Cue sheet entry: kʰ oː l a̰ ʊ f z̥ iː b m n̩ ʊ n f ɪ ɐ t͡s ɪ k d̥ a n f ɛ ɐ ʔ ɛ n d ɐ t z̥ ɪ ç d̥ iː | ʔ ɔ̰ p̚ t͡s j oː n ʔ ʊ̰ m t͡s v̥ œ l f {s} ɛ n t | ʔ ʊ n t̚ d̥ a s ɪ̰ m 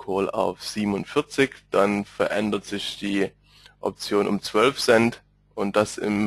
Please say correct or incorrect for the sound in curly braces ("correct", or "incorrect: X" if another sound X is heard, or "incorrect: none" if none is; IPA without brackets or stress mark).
correct